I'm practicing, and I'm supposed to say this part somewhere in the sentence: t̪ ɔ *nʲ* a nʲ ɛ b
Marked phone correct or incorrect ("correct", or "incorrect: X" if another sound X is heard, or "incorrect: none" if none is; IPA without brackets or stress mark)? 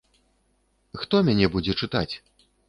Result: incorrect: mʲ